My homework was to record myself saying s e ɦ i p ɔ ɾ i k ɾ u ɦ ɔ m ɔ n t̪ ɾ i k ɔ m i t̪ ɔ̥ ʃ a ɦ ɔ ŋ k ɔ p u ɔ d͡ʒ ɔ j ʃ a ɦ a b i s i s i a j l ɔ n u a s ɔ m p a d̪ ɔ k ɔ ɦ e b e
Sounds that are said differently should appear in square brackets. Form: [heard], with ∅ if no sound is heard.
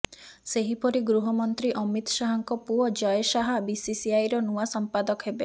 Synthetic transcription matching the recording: s e ɦ i p ɔ ɾ i [ɡ] ɾ u ɦ ɔ m ɔ n t̪ ɾ i [ʔ] ɔ m i t̪ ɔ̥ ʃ a ɦ ɔ ŋ k ɔ p u ɔ d͡ʒ ɔ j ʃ a ɦ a b i s i s i a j [ɾ] ɔ n u a s ɔ m p a d̪ ɔ k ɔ ɦ e b e